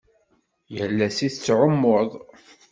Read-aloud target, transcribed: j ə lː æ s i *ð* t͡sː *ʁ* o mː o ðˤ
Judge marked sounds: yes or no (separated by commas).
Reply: no, no